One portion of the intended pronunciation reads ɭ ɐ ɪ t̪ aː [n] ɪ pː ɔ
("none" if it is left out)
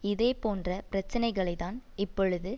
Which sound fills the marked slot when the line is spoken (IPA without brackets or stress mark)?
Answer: n